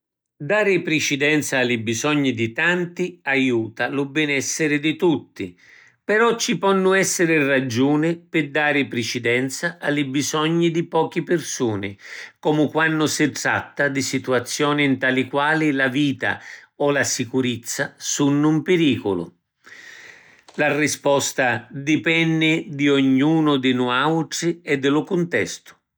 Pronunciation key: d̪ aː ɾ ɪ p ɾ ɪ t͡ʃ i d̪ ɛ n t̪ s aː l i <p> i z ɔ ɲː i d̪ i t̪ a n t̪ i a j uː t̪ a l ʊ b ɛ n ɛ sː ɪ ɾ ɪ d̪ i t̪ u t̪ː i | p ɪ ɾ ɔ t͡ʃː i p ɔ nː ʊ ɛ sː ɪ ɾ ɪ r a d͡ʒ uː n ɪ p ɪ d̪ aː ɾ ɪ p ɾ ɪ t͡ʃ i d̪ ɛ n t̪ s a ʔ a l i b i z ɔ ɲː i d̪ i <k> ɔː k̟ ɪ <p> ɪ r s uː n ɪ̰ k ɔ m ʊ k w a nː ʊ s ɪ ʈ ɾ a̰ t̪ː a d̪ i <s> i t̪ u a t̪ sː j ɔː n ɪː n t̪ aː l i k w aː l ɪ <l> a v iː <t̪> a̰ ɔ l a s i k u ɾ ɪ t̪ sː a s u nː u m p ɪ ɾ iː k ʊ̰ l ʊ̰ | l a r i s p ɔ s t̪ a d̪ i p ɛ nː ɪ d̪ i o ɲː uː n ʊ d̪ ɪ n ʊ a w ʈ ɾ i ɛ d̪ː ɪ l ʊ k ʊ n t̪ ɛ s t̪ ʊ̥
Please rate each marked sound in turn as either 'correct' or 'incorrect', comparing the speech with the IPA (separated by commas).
incorrect, incorrect, correct, correct, correct, correct